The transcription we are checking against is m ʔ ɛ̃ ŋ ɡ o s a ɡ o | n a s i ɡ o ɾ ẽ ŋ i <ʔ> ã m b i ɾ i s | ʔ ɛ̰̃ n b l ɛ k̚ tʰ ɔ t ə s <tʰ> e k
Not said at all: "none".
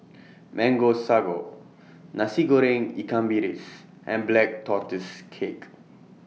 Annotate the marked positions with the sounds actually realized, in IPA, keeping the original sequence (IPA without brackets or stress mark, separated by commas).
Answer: k, kʰ